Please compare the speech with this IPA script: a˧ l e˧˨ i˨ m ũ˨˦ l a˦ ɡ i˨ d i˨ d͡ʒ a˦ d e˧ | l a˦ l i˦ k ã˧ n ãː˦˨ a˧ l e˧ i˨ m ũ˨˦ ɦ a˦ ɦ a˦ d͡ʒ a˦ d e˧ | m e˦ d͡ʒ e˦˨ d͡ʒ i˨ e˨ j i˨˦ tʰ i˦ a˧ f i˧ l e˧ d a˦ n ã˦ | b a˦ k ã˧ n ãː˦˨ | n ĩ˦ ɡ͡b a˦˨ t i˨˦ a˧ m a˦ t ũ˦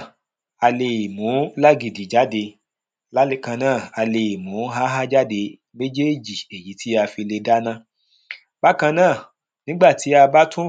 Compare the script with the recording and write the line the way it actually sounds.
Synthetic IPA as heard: a˧ l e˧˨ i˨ m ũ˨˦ l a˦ ɡ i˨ d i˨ d͡ʒ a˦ d e˧ | l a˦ l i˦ k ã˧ n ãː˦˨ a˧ l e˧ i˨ m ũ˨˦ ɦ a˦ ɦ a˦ d͡ʒ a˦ d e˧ | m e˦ d͡ʒ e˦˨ d͡ʒ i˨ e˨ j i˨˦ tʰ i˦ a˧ f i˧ l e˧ d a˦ n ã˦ | b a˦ k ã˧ n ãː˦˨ | n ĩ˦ ɡ͡b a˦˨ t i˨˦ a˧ b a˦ t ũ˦